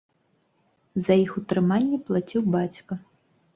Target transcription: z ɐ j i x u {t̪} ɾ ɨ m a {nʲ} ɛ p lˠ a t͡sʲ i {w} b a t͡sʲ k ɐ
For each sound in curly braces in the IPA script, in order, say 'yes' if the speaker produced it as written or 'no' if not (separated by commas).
yes, no, yes